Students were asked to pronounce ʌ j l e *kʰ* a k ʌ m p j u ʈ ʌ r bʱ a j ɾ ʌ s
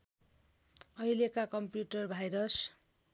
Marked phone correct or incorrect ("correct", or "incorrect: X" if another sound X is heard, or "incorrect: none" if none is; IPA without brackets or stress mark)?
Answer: incorrect: k